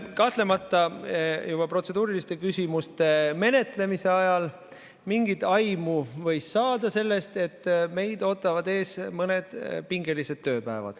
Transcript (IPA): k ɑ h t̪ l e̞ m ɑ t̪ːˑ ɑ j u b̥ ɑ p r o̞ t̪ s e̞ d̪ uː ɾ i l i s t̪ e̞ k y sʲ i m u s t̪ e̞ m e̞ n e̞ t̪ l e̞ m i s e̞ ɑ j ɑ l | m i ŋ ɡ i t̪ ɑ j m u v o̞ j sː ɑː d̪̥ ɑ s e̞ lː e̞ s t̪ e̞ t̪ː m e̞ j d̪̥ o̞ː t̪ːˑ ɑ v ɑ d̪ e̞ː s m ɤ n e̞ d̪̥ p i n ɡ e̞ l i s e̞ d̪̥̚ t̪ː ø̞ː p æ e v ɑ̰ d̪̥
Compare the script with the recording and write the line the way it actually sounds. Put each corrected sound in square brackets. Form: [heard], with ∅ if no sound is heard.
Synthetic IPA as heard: k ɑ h t̪ l e̞ m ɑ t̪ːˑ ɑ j u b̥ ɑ p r o̞ t̪ s e̞ d̪ uː ɾ i l i s t̪ e̞ k y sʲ i m u s t̪ e̞ m e̞ n e̞ t̪ l e̞ m i s e̞ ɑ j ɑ l | m i ŋ ɡ i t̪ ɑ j m u v [ɤ̞] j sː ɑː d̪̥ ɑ s e̞ lː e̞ s t̪ e̞ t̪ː m e̞ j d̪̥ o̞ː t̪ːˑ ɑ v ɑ d̪ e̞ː s m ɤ n e̞ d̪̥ p i [ŋ] ɡ e̞ l i s e̞ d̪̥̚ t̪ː ø̞ː p æ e v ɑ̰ d̪̥